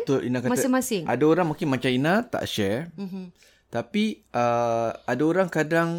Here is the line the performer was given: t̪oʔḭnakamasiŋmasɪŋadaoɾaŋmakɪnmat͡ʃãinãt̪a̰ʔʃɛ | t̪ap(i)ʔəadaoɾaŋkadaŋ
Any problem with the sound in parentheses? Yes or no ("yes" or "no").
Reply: no